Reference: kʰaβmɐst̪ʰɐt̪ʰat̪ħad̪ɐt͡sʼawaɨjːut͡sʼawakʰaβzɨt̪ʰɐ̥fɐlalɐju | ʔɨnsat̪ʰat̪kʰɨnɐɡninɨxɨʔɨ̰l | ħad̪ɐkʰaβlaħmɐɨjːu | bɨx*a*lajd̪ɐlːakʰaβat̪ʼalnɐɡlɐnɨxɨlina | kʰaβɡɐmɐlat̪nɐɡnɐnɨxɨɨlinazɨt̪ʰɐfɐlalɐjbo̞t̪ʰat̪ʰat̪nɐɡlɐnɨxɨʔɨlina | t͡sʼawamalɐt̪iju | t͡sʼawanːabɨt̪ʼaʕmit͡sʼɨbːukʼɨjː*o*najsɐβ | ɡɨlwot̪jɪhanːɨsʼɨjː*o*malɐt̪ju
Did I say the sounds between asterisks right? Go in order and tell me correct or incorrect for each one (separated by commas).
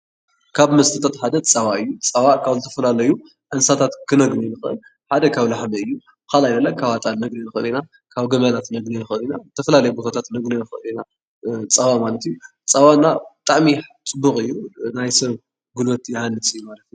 correct, incorrect, incorrect